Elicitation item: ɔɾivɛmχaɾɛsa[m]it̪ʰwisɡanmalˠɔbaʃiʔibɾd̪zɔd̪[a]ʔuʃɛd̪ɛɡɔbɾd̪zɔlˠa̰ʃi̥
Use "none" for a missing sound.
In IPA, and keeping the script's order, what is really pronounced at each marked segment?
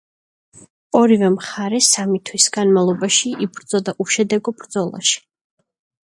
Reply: m, a

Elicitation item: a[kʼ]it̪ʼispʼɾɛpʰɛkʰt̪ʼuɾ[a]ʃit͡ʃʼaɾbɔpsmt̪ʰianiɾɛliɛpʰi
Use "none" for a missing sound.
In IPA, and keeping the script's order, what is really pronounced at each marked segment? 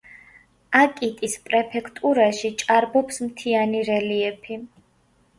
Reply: kʼ, a

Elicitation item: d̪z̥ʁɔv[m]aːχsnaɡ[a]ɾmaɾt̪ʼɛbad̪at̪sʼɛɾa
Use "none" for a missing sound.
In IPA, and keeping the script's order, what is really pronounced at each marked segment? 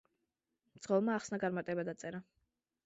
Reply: m, a

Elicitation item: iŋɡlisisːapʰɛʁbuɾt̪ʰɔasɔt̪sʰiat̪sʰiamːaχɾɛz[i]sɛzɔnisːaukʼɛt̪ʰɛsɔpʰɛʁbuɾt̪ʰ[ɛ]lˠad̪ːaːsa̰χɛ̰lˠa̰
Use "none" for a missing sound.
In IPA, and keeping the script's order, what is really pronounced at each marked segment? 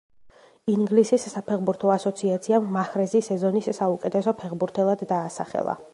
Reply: i, ɛ

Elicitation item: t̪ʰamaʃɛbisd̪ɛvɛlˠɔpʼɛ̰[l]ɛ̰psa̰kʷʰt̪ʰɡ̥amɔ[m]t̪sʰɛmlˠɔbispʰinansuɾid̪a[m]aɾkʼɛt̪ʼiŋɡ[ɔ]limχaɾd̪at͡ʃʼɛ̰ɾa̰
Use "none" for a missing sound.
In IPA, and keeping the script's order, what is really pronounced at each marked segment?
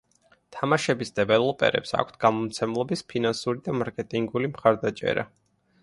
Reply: ɾ, m, m, u

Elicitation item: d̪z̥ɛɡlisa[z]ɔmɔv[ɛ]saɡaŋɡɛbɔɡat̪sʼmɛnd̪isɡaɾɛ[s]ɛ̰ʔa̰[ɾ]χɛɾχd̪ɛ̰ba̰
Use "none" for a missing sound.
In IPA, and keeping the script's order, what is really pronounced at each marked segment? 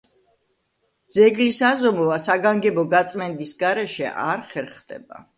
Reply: z, a, ʃ, ɾ

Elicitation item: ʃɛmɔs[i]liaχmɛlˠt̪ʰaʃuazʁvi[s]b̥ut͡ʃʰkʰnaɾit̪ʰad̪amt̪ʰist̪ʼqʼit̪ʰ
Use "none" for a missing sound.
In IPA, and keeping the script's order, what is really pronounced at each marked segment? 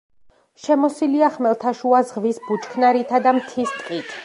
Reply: i, s

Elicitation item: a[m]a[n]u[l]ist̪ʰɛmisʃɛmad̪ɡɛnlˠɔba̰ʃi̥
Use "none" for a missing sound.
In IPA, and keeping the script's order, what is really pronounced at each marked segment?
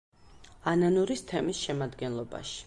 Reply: n, n, ɾ

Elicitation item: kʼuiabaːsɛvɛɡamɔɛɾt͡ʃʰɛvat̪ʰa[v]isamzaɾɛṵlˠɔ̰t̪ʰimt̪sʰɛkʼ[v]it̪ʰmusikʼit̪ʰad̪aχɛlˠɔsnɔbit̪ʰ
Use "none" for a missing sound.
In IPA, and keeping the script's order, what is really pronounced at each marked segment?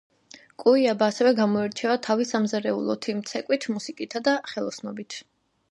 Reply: v, w

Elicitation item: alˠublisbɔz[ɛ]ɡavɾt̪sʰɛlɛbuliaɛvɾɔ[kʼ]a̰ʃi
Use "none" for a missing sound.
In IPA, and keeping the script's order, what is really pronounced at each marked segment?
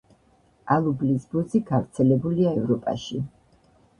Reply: i, pʼ

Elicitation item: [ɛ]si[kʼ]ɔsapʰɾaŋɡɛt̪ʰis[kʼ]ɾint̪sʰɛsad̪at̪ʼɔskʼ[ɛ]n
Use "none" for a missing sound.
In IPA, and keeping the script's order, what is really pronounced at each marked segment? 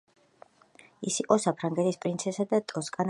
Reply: i, qʼ, pʼ, a

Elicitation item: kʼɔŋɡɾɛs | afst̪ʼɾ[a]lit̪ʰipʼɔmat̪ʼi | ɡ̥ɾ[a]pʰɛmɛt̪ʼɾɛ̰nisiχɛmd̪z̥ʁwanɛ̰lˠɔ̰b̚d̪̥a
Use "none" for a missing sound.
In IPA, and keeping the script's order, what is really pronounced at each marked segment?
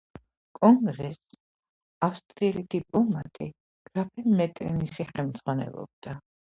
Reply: i, a

